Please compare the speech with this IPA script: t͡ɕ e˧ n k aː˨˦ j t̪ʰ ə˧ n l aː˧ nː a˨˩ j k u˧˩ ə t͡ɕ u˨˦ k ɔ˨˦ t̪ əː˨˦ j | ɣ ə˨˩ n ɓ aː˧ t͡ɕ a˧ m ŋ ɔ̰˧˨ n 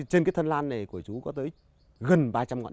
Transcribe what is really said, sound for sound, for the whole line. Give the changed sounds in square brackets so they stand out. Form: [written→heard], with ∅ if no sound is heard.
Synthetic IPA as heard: t͡ɕ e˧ n k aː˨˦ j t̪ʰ ə˧ n l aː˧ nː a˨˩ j k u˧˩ ə t͡ɕ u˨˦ k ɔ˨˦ t̪ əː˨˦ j | ɣ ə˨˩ n ɓ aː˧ t͡ɕ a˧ m ŋ ɔ̰˧˨ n